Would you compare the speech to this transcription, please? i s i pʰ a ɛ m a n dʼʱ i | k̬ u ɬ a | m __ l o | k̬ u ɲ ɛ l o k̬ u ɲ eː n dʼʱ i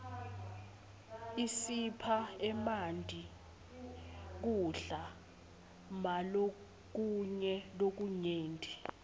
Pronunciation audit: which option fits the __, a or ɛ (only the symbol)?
a